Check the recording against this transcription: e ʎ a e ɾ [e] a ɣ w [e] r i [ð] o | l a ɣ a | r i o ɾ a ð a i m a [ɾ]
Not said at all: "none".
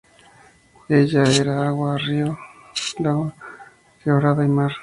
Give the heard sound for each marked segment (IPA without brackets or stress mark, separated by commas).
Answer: a, a, none, ɾ